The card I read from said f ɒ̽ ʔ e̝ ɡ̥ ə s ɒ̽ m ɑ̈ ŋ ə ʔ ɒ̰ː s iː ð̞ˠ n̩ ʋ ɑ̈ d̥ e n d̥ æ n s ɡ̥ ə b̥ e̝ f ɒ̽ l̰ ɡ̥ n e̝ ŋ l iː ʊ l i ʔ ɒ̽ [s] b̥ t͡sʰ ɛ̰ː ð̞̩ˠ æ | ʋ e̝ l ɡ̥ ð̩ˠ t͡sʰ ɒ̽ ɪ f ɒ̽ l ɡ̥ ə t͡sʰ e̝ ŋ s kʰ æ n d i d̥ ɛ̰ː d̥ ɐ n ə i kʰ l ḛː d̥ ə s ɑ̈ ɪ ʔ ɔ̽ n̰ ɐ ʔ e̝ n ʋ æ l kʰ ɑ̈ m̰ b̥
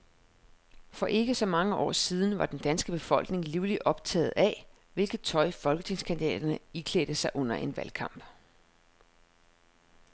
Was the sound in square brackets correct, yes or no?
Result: no